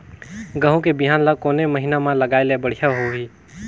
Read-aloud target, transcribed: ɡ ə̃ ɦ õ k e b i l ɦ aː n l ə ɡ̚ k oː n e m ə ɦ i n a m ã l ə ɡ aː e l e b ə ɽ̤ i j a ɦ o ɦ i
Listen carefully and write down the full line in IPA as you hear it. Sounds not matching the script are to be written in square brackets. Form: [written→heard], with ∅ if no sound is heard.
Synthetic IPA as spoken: ɡ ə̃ ɦ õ k e b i [l→∅] ɦ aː n l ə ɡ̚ k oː n e m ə ɦ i n a m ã l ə ɡ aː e l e b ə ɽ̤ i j a ɦ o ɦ i